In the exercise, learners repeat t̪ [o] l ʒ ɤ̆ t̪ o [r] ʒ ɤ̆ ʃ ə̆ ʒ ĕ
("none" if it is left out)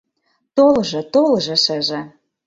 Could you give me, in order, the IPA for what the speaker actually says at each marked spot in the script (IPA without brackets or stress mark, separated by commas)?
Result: o, l